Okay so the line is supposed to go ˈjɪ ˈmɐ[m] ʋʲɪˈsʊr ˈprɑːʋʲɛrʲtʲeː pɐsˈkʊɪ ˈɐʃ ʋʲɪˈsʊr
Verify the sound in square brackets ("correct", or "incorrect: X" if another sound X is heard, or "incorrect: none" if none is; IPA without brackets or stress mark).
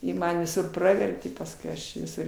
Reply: incorrect: n